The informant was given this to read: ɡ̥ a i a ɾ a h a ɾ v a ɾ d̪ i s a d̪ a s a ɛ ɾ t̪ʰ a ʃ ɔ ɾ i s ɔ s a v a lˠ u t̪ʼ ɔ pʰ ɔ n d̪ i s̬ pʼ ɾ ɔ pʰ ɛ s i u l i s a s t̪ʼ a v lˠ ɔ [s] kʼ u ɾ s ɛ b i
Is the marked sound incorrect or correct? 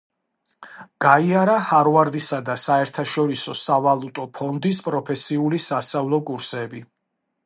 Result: incorrect